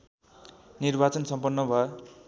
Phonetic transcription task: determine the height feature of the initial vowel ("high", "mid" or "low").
high